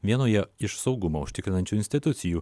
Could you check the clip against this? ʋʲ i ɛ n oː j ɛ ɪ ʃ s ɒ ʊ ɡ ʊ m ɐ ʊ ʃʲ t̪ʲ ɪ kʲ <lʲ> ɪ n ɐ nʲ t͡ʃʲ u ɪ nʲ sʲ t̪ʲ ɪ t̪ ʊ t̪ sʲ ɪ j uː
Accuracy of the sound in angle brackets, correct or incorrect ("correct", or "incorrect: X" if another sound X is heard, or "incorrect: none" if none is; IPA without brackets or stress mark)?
incorrect: ɾʲ